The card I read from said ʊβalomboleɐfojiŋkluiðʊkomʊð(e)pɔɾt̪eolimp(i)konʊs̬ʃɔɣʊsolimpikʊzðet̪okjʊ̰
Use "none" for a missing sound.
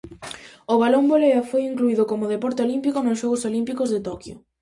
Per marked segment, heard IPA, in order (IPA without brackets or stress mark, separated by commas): e, i